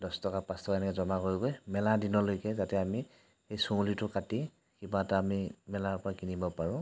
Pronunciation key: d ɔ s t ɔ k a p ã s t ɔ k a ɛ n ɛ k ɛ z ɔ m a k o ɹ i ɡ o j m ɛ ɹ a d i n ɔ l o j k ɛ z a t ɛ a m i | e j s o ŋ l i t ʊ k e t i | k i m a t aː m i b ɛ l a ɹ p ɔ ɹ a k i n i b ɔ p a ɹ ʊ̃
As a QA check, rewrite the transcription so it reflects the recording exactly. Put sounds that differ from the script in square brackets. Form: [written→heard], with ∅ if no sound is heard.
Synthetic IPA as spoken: d ɔ s t ɔ k a p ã s t ɔ k a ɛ n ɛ k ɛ z ɔ m a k o ɹ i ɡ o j m ɛ [ɹ→l] a d i n ɔ l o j k ɛ z a t ɛ a m i | e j s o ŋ l i t ʊ k [e→a] t i | k i [m→b] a t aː m i [b→m] ɛ l a ɹ p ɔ ɹ a k i n i b ɔ p a ɹ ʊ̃